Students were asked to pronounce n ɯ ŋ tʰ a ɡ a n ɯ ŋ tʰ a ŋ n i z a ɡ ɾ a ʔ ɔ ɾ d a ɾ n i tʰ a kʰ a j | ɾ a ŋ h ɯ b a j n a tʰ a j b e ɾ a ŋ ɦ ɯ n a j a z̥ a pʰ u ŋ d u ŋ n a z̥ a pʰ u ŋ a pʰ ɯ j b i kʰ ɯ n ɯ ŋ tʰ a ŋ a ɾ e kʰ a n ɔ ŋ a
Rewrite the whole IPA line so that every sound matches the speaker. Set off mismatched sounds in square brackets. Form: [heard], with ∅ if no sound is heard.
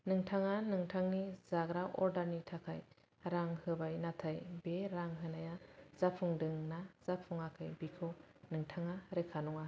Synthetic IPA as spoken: n ɯ ŋ tʰ a [ŋ] a n ɯ ŋ tʰ a ŋ n i z a ɡ ɾ a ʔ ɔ ɾ d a ɾ n i tʰ a kʰ a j | ɾ a ŋ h ɯ b a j n a tʰ a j b e ɾ a ŋ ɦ ɯ n a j a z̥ a pʰ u ŋ d [ɯ] ŋ n a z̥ a pʰ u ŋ a [kʰ] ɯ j b i kʰ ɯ n ɯ ŋ tʰ a ŋ a ɾ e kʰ a n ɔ ŋ a